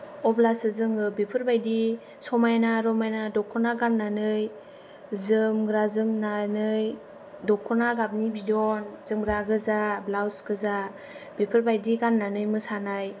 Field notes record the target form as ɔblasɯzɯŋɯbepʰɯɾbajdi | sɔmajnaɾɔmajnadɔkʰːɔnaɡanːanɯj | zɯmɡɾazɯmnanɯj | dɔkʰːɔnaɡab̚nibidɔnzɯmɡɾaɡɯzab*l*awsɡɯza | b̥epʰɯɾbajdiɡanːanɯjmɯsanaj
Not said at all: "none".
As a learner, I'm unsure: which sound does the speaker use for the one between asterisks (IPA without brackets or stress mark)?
l